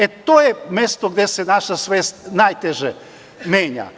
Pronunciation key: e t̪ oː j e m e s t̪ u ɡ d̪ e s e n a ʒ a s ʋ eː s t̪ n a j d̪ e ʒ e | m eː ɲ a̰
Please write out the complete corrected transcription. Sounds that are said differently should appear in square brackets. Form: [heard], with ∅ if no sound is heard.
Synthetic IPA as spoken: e t̪ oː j e m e s t̪ [o] ɡ d̪ e s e n a [ʃ] a s ʋ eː s t̪ n a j [t̪] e ʒ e | m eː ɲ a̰

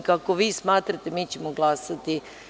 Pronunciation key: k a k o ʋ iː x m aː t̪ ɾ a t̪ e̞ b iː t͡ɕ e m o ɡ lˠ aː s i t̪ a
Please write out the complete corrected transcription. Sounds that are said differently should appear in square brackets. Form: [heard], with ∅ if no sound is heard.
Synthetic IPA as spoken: k a k o ʋ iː [s] m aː t̪ ɾ a t̪ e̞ [m] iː t͡ɕ e m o ɡ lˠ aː s [a] t̪ [i]

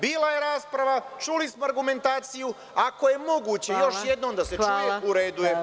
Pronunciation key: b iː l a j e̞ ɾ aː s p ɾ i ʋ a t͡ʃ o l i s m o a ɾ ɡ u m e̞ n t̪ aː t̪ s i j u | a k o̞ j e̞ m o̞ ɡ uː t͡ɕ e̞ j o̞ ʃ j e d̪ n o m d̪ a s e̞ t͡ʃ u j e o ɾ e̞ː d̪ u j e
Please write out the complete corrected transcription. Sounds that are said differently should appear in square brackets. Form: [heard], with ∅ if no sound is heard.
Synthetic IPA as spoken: b iː l a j e̞ ɾ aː s p ɾ [a] ʋ a t͡ʃ [u] l i s m o a ɾ ɡ u m e̞ n t̪ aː t̪ s i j u | a k o̞ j e̞ m o̞ ɡ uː t͡ɕ e̞ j o̞ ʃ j e d̪ n o m d̪ a s e̞ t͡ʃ u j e [u] ɾ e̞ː d̪ u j e

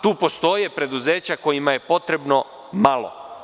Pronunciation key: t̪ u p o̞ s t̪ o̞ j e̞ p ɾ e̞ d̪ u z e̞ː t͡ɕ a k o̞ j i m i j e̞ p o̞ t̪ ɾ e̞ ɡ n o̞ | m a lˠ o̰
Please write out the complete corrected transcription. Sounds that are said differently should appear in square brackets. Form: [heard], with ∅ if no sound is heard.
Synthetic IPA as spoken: t̪ [uː] p o̞ s t̪ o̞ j e̞ p ɾ e̞ d̪ u z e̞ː t͡ɕ a k o̞ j i m [a] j e̞ p o̞ t̪ ɾ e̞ [b] n o̞ | m a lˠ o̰

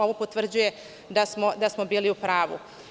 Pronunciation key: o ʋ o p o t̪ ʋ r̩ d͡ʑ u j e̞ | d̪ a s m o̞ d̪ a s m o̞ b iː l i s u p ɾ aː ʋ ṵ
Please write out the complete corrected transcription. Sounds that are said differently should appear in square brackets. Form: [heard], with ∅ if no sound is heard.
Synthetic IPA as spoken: o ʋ o p o t̪ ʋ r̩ d͡ʑ u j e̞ | d̪ a s m o̞ d̪ a s m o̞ b iː l i [∅] u p ɾ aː ʋ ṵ

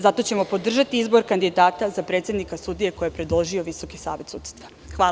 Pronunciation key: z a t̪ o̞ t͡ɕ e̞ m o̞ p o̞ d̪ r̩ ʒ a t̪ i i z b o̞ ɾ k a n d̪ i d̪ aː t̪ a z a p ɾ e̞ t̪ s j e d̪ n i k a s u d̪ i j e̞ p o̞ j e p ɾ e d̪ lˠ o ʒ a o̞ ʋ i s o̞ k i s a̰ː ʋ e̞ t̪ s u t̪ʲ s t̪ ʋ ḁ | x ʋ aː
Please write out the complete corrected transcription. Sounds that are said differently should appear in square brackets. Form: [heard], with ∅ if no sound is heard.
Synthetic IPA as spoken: z a t̪ o̞ t͡ɕ e̞ m o̞ p o̞ d̪ r̩ ʒ a t̪ i i z b o̞ ɾ k a n d̪ i d̪ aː t̪ a z a p ɾ e̞ t̪ s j e d̪ n i k a s u d̪ i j e̞ [k] o̞ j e p ɾ e d̪ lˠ o ʒ [i] o̞ ʋ i s o̞ k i s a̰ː ʋ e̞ t̪ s u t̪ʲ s t̪ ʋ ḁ | x ʋ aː

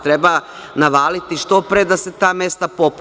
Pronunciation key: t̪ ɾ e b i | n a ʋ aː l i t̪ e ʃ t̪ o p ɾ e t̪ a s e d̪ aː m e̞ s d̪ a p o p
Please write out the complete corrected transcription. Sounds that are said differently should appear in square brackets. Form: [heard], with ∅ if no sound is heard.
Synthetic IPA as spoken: t̪ ɾ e b [a] | n a ʋ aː l i t̪ [i] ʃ t̪ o p ɾ e [d̪] a s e [t̪] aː m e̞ s [t̪] a p o p

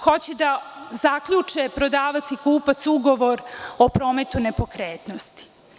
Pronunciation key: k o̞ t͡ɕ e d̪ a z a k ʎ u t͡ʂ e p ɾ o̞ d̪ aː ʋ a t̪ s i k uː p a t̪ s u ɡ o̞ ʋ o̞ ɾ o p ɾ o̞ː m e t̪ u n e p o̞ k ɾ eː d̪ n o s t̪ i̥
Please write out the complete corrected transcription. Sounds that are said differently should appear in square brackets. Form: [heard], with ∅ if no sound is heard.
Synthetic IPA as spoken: [x] o̞ t͡ɕ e d̪ a z a k ʎ u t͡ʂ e p ɾ o̞ d̪ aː ʋ a t̪ s i k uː p a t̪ s u ɡ o̞ ʋ o̞ ɾ o p ɾ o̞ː m e t̪ u n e p o̞ k ɾ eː [t̪] n o s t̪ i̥

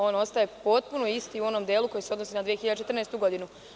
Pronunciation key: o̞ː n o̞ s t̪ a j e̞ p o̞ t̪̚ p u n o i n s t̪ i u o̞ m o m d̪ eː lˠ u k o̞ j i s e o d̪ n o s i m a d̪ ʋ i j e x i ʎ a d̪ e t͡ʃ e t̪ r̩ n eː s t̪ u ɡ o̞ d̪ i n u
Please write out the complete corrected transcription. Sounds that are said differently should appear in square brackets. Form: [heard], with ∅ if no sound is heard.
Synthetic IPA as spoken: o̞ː n o̞ s t̪ a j e̞ p o̞ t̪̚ p u n o i [∅] s t̪ i u o̞ [n] o m d̪ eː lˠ u k o̞ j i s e o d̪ n o s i [n] a d̪ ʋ i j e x i ʎ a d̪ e t͡ʃ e t̪ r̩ n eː s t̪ u ɡ o̞ d̪ i n u

